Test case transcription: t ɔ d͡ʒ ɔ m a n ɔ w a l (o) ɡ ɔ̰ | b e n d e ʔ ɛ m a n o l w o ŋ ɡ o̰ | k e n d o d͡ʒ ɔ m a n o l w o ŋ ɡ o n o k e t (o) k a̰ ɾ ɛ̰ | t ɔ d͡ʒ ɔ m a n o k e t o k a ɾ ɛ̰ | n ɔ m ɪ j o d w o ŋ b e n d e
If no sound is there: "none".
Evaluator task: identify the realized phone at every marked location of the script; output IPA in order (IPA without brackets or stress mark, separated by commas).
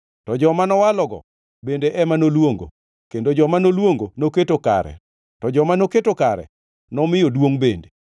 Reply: ɔ, o